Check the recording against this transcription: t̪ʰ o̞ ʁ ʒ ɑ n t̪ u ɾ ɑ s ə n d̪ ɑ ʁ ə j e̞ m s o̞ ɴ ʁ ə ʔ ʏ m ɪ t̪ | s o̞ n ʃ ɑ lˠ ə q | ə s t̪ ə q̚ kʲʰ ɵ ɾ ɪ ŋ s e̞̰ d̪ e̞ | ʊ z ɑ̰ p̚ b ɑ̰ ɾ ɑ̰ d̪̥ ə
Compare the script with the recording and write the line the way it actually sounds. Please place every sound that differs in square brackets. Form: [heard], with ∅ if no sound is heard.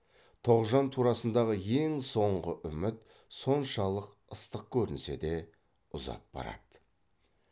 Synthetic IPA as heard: t̪ʰ o̞ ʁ ʒ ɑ n [t̪ʰ] u ɾ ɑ s ə n d̪ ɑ ʁ ə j e̞ [ŋ] s o̞ ɴ ʁ ə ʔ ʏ m ɪ t̪ | s o̞ n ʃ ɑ lˠ ə q | ə s t̪ ə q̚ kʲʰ ɵ ɾ ɪ [n] s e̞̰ d̪ e̞ | ʊ z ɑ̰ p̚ b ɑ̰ ɾ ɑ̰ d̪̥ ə

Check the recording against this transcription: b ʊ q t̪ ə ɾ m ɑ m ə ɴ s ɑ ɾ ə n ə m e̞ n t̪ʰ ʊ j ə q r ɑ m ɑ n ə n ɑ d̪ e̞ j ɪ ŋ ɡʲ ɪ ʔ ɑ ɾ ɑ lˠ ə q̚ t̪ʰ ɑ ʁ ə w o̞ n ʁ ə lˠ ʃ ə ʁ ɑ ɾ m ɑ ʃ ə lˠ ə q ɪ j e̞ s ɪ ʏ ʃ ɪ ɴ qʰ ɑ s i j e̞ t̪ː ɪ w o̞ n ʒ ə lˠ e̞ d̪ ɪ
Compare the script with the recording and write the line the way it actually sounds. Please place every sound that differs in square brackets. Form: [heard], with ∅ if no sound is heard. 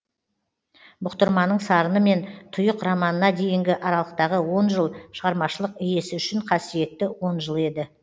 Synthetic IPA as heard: b ʊ q t̪ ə ɾ m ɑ [n] ə ɴ s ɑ ɾ ə n ə m e̞ n t̪ʰ ʊ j ə q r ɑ m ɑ n ə n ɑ d̪ e̞ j ɪ ŋ ɡʲ ɪ ʔ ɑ ɾ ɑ lˠ ə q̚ [t̪] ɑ ʁ ə w o̞ n [ʒ] ə lˠ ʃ ə ʁ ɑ ɾ m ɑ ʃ ə lˠ ə q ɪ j e̞ s ɪ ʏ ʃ ɪ ɴ qʰ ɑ s i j e̞ t̪ː ɪ w o̞ n ʒ ə lˠ e̞ d̪ ɪ

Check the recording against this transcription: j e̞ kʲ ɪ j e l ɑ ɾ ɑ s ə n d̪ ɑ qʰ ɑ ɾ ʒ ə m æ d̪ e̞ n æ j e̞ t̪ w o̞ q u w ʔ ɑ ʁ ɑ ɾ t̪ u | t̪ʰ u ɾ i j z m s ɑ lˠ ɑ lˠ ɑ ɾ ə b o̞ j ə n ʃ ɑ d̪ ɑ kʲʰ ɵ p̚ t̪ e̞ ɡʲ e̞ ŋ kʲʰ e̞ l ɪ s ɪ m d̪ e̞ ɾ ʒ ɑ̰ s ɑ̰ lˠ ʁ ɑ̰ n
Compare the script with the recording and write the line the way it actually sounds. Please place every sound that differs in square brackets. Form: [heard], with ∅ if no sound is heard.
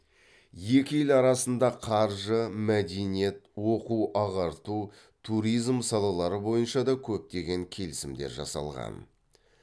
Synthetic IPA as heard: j e̞ kʲ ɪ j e l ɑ ɾ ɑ s ə n d̪ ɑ qʰ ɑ ɾ ʒ ə m æ d̪ e̞ n [i] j e̞ t̪ w o̞ q u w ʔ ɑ ʁ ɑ ɾ t̪ u | t̪ʰ u ɾ i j z m s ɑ lˠ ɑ lˠ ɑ ɾ ə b o̞ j ə n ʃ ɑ d̪ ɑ kʲʰ ɵ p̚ t̪ e̞ ɡʲ e̞ ŋ kʲʰ e̞ l ɪ s ɪ m d̪ e̞ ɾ ʒ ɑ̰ s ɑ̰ lˠ ʁ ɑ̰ n

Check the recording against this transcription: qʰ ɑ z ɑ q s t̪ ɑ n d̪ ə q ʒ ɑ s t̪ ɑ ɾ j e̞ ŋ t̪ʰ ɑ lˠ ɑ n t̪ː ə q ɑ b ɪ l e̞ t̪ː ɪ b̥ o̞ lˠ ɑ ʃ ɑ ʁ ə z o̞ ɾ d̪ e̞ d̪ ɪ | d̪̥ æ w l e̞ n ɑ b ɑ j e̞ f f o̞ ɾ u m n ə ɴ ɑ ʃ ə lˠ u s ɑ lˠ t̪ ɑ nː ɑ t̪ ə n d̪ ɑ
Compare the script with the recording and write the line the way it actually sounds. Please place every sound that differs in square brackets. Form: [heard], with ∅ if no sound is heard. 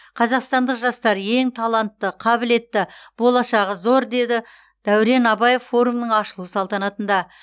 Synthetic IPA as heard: qʰ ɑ z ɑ q s t̪ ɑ n d̪ ə q ʒ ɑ s t̪ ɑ ɾ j e̞ ŋ t̪ʰ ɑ lˠ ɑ n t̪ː ə [qʰ] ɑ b ɪ l e̞ t̪ː ɪ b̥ o̞ lˠ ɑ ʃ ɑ ʁ ə z o̞ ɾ d̪ e̞ d̪ ɪ | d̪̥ æ w [ɾ] e̞ n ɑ b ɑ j e̞ f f o̞ ɾ u m n ə ɴ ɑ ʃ ə lˠ u s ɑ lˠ t̪ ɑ [n] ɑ t̪ ə n d̪ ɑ

